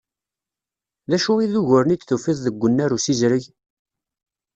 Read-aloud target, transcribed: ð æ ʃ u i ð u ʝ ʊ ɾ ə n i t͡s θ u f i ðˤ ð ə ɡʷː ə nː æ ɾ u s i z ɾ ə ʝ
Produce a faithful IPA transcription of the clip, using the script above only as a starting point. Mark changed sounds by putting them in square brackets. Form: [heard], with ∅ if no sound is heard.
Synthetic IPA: ð æ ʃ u i ð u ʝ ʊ ɾ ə n i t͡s θ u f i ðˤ ð ə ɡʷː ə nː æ ɾ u s i z ɾ ə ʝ